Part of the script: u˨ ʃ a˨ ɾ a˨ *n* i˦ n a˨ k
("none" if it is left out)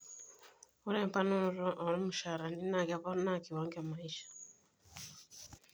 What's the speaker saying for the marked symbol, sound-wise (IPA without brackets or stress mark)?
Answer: n